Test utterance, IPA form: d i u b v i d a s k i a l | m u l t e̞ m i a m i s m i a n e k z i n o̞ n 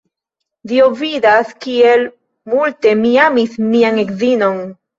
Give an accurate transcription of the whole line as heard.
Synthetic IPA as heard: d i o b v i d a s k i e l | m u l t e̞ m i a m i s m i a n e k z i n o̞ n